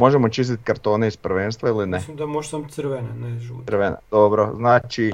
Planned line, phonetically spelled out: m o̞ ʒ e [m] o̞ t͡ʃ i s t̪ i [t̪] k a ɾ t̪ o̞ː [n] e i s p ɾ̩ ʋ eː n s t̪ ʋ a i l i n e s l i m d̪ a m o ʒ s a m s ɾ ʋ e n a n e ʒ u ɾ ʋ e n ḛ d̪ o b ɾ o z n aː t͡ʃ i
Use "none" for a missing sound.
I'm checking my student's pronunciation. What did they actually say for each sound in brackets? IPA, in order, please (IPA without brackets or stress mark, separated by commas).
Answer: m, t̪, n